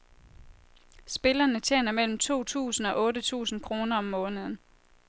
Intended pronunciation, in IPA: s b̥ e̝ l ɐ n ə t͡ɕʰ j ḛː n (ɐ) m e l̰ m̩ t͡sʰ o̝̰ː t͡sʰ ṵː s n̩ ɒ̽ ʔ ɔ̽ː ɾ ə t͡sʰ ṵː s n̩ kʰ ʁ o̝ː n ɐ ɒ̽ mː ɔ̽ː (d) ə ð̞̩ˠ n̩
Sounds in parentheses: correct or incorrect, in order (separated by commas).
correct, incorrect